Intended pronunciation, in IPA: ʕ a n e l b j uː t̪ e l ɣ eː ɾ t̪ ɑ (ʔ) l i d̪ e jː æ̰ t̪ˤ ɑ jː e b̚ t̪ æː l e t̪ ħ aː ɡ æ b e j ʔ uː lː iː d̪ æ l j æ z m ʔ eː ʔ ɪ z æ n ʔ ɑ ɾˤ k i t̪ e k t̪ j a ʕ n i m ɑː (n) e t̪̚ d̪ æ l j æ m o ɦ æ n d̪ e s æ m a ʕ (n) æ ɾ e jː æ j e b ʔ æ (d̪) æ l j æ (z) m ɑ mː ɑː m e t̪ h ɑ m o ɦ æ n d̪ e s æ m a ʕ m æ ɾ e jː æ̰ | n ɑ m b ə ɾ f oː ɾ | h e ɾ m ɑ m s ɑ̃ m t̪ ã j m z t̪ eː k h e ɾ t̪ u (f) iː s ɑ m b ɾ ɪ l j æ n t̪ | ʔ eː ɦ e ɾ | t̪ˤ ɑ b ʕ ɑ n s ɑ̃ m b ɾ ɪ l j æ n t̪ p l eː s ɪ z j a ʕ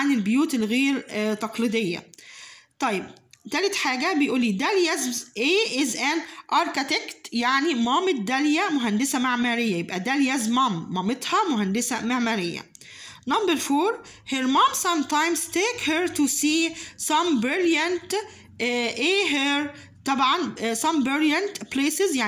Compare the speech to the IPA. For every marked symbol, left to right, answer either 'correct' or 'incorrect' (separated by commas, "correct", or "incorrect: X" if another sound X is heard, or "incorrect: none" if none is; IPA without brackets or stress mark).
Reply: incorrect: q, incorrect: m, incorrect: m, correct, correct, incorrect: s